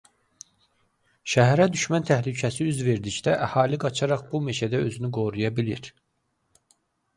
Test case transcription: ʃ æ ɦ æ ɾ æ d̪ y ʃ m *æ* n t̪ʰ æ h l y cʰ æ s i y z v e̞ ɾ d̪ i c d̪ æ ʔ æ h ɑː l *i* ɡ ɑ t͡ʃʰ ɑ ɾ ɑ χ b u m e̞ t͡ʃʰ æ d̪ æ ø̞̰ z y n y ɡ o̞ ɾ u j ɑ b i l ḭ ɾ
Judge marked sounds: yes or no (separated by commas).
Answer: yes, yes